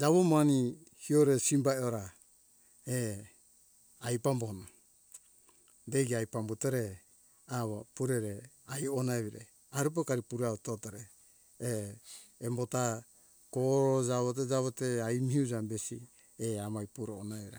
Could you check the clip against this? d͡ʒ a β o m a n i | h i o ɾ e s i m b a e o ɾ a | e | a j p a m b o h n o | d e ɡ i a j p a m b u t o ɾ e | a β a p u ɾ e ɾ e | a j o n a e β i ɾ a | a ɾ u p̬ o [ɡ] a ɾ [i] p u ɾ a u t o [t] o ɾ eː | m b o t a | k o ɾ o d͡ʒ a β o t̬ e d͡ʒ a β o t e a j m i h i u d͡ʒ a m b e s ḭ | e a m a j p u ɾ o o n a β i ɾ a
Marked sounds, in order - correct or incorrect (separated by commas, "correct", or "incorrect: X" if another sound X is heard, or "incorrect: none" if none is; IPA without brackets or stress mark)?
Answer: incorrect: k, correct, correct